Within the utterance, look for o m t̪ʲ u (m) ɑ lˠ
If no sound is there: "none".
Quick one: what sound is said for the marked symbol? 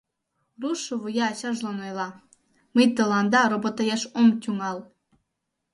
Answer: ŋ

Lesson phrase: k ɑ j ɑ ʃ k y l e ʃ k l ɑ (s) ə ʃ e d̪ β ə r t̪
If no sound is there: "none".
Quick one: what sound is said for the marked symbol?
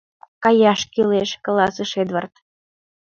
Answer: s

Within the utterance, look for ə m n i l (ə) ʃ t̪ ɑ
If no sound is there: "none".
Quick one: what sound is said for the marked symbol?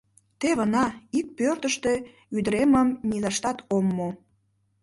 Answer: ɑ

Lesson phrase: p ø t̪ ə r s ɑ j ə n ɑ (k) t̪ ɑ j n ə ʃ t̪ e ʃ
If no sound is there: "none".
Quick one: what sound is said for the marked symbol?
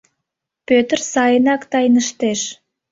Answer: k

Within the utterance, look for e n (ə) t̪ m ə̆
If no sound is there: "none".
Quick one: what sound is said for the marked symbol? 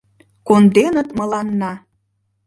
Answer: ə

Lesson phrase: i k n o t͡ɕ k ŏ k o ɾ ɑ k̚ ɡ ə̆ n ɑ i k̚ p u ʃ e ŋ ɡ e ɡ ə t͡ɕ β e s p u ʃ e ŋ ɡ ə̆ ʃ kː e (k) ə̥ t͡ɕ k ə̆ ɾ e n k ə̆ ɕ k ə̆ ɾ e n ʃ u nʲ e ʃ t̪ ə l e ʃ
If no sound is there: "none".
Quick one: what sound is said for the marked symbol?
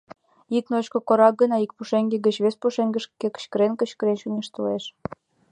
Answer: k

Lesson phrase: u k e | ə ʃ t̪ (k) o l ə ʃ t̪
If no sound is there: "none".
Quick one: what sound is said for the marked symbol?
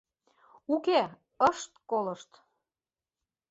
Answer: k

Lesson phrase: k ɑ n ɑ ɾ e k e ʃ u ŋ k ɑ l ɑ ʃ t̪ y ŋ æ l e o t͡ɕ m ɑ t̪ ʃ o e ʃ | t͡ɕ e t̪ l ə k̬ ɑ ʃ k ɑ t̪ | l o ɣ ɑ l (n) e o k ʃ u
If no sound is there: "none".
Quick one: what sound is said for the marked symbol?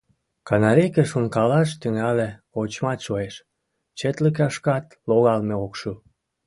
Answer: m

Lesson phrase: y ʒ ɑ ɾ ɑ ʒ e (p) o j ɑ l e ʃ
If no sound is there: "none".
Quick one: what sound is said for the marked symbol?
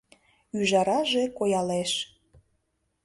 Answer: k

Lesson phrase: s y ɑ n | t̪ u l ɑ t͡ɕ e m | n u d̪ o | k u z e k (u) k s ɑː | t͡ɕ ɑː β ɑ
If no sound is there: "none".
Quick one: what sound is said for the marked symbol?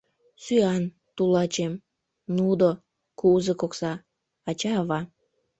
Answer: o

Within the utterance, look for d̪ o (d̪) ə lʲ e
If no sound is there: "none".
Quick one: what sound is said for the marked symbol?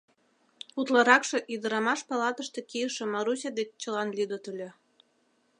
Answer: t̪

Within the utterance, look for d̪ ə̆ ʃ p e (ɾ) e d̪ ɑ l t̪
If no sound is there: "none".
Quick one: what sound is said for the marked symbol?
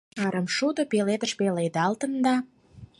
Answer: l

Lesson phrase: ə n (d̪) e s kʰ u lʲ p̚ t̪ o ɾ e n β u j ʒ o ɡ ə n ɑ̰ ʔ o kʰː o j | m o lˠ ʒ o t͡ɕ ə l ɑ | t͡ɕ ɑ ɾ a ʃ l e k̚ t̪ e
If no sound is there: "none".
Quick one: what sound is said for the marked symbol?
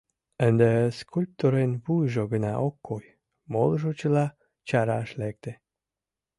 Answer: d̪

